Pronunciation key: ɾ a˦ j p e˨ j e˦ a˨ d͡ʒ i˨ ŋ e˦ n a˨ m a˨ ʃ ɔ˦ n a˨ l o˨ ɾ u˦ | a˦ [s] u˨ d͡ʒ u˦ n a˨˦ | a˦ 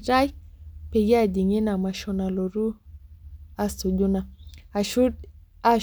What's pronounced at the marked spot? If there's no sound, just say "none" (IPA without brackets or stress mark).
s